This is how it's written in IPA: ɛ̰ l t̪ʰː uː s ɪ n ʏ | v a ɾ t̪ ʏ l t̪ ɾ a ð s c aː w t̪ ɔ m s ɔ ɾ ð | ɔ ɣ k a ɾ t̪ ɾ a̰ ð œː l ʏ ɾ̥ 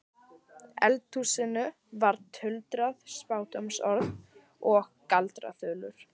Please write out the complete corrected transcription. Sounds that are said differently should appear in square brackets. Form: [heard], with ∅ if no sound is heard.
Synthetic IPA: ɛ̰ l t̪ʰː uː s ɪ n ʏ | v a ɾ [t̪ʰ] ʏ l t̪ ɾ a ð s [p] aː w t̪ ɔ m s ɔ ɾ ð | ɔ ɣ k a [l] t̪ ɾ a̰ [θ] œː l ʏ ɾ̥